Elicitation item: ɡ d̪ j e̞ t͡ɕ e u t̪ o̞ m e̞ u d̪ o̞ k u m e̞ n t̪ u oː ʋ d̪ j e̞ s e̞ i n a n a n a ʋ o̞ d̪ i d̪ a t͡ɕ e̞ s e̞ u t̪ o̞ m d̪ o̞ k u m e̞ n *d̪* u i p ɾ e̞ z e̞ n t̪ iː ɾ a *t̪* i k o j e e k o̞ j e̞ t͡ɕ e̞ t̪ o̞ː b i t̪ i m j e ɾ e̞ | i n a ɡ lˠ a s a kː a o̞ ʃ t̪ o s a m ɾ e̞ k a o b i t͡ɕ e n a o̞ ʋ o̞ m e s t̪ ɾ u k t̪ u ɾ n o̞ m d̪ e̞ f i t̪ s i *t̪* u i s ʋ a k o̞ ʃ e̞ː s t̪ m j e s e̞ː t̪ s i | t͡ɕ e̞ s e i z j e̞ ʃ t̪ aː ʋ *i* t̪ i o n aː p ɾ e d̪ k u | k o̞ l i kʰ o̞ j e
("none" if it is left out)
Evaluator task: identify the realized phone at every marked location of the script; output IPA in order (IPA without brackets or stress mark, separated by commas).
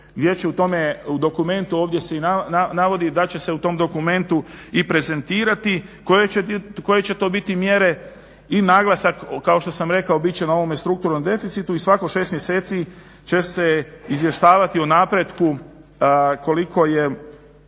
t̪, t̪, t̪, a